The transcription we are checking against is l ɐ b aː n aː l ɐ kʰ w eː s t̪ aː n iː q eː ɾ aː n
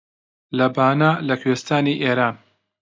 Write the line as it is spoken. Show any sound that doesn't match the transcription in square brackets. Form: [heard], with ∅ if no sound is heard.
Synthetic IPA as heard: l ɐ b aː n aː l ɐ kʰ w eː s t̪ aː n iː [ʔ] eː ɾ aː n